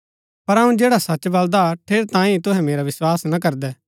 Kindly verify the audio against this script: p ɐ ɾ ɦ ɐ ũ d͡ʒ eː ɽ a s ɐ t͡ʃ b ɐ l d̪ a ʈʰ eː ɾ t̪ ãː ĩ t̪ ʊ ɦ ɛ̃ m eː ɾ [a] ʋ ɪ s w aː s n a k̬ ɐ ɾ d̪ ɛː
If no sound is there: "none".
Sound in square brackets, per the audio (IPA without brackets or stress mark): a